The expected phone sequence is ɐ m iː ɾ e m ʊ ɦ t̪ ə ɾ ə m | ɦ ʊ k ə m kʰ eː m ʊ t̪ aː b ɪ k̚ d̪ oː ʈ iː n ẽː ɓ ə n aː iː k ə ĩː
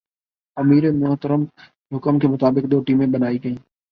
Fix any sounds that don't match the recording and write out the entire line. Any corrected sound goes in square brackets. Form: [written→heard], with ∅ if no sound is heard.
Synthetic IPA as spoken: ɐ m iː ɾ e m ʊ ɦ t̪ ə ɾ ə m | ɦ ʊ k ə m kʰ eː m ʊ t̪ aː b ɪ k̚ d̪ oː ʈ iː [n→m] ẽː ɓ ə n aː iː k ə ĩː